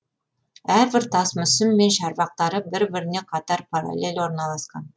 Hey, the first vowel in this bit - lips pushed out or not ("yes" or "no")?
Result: no